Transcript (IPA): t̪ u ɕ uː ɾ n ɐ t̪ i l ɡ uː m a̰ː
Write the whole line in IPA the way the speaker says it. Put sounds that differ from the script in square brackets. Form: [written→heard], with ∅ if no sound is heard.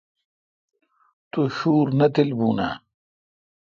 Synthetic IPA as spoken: t̪ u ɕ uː ɾ n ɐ t̪ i l [ɡ→b] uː [m→n] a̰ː